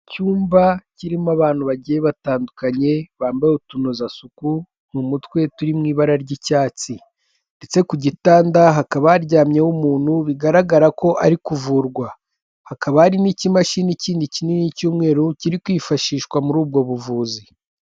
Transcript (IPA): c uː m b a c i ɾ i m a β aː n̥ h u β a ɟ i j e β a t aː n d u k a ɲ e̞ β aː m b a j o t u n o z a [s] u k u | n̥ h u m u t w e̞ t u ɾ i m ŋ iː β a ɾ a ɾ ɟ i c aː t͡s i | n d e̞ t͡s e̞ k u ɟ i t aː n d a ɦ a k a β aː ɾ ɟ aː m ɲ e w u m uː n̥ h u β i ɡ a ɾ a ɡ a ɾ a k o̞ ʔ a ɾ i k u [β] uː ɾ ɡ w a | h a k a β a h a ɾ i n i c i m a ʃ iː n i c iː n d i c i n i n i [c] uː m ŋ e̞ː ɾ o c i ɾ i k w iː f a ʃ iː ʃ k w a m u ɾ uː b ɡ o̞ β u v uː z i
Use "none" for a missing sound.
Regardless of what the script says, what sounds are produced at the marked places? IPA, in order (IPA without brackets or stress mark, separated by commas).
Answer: s, v, c